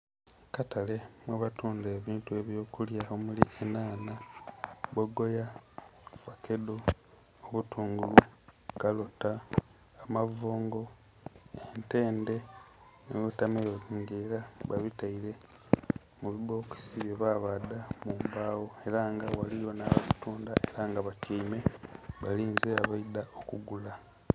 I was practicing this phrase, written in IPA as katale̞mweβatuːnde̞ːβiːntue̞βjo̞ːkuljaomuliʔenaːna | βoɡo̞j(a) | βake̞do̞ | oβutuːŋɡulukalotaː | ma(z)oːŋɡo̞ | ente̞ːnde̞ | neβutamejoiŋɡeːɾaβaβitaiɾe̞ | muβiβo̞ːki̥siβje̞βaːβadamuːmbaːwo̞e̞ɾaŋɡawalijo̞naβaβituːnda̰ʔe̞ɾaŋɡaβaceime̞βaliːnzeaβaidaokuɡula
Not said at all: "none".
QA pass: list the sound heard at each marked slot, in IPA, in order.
a, v

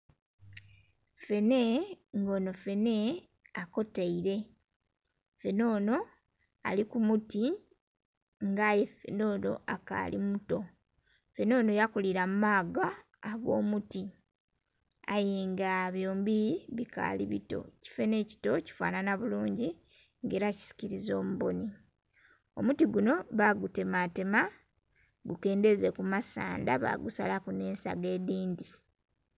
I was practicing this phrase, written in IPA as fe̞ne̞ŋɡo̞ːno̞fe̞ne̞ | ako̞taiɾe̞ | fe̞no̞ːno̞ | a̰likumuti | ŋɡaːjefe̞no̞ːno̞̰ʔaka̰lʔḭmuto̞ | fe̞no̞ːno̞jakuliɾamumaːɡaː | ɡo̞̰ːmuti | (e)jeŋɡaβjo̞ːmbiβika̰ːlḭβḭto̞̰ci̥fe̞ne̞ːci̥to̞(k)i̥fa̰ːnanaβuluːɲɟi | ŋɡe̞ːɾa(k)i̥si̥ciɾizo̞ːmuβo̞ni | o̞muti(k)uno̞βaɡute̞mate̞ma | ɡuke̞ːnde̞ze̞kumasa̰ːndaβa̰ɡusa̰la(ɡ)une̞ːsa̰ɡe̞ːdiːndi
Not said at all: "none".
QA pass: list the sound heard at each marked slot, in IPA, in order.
a, c, c, ɡ, k

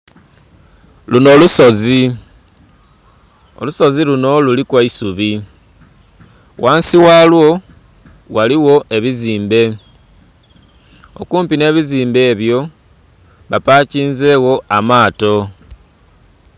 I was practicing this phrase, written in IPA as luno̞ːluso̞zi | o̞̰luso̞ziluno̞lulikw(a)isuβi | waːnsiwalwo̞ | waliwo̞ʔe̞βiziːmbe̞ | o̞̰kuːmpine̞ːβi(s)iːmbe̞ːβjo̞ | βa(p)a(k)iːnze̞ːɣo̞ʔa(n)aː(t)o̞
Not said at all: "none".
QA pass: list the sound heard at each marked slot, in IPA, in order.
a, z, p, c, m, t

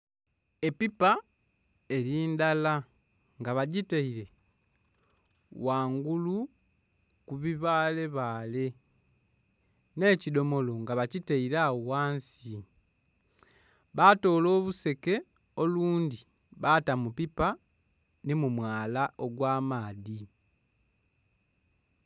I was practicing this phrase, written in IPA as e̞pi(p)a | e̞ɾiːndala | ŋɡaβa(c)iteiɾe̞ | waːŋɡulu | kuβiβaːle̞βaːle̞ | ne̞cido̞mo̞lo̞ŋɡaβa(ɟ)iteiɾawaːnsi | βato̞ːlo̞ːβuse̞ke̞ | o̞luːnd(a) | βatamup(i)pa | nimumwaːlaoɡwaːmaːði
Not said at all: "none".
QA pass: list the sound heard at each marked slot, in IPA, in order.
p, ɟ, c, i, i

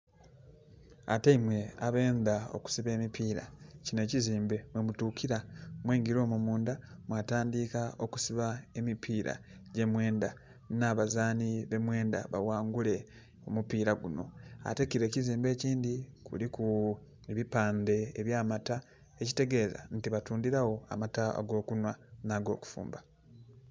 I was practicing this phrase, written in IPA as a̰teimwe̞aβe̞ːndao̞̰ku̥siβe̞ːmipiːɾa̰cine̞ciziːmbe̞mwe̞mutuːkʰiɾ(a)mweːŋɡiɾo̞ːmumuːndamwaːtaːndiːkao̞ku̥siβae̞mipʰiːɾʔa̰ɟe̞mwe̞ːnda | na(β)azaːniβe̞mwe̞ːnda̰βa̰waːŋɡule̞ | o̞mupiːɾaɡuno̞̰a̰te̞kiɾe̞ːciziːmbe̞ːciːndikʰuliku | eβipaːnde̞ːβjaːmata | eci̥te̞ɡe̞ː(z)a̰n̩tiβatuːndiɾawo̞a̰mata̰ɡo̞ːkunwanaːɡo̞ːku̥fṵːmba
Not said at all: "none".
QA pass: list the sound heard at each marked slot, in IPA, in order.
a, β, z

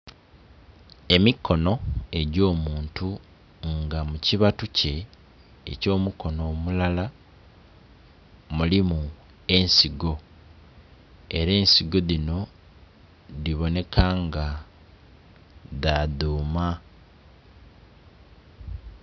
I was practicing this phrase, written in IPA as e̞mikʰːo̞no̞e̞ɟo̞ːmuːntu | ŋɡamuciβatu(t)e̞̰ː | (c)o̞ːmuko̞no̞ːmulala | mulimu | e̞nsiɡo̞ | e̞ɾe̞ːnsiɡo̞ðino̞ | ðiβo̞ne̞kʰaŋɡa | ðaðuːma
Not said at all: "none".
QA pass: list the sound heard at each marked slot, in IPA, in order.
c, c

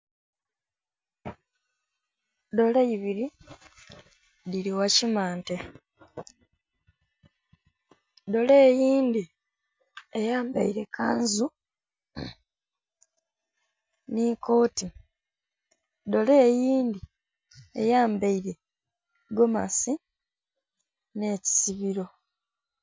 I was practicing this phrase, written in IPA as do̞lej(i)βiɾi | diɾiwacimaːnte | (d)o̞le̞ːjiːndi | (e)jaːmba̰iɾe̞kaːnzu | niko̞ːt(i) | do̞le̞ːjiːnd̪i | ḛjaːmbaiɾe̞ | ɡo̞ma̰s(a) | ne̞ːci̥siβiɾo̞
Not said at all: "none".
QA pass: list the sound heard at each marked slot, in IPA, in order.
i, d, e, i, i

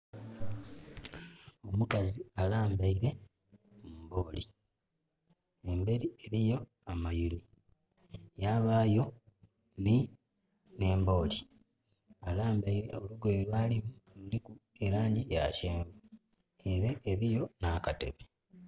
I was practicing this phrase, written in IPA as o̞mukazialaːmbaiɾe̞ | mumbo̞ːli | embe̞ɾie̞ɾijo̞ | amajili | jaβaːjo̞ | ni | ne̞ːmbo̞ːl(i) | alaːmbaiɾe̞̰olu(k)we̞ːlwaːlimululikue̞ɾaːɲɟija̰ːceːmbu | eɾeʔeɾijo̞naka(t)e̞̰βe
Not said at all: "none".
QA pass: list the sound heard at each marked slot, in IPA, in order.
i, ɡ, t

